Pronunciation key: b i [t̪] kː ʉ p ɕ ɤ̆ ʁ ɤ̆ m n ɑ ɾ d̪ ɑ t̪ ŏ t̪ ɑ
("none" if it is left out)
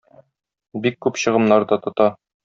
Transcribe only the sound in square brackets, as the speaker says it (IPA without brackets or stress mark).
none